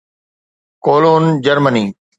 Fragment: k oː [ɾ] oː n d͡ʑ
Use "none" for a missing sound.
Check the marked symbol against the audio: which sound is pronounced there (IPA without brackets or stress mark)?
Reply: l